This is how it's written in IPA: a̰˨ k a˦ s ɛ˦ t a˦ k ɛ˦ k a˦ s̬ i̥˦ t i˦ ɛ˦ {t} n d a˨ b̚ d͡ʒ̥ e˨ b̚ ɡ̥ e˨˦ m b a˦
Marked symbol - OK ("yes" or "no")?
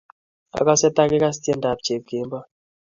no